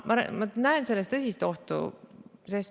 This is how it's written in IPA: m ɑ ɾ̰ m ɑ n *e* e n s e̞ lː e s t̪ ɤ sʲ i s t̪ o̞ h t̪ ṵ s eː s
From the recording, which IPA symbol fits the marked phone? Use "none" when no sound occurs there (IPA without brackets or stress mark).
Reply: æ